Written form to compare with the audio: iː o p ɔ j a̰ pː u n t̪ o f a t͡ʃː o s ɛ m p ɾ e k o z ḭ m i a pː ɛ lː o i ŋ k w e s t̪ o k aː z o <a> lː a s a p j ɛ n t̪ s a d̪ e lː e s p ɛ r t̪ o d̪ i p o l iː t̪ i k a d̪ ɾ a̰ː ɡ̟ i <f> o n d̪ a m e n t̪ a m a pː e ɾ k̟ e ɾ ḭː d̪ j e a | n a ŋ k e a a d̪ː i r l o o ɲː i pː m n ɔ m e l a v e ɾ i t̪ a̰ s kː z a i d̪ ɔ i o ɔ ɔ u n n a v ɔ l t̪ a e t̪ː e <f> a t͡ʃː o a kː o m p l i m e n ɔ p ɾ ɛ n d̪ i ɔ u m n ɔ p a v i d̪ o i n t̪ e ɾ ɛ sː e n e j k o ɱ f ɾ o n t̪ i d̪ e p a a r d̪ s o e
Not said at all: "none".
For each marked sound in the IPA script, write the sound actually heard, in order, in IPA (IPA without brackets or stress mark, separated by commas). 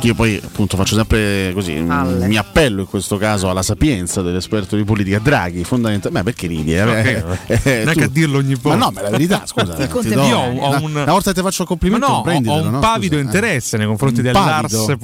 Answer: a, f, f